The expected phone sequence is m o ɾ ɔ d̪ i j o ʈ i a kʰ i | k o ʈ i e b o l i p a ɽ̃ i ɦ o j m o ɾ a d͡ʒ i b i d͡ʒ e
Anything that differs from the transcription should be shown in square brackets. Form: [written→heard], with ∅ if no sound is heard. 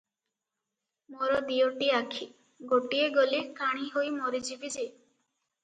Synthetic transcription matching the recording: m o ɾ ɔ d̪ i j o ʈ i a kʰ i | [k→ɡ] o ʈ i e [b→ɡ] o l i [p→k] a ɽ̃ i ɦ o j m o ɾ [a→i] d͡ʒ i b i d͡ʒ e